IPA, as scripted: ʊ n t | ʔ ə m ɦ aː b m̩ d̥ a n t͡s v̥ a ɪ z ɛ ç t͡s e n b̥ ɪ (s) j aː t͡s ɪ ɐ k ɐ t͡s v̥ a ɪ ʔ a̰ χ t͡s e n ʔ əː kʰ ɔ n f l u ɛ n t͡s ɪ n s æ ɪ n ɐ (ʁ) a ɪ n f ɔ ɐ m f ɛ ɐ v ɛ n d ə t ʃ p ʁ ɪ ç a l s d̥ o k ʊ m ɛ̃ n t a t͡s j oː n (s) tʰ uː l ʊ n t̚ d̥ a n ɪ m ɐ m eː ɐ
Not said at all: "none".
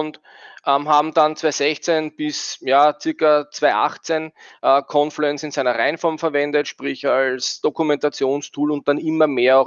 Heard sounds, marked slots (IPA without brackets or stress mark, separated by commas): s, ʁ, s